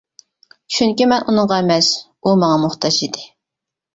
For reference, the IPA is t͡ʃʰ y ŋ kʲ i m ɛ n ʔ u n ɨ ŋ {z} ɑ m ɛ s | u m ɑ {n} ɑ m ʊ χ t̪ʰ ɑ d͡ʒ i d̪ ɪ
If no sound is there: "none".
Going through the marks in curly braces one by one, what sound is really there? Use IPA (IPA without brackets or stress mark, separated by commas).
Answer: ʁ, ŋ